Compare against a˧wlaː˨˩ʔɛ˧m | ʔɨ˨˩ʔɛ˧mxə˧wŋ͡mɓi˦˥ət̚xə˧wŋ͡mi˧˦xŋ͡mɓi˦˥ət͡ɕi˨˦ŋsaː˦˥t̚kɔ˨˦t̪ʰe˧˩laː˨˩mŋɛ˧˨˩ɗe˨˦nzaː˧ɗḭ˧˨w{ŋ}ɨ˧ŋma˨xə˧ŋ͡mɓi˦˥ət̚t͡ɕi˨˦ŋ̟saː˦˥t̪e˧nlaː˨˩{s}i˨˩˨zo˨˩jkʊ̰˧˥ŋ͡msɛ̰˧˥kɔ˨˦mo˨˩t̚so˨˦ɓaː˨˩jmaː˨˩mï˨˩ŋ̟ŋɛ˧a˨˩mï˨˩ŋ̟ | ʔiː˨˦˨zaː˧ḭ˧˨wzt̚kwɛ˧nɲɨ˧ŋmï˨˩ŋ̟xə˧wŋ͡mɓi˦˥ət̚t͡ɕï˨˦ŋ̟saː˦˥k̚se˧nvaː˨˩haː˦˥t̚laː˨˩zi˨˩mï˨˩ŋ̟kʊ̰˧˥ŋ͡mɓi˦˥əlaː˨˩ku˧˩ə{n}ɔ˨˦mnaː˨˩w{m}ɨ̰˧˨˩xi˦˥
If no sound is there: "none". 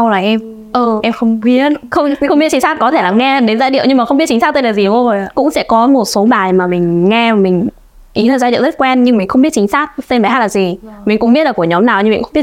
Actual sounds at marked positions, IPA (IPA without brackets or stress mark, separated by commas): ɲ, z, ɲ, ɲ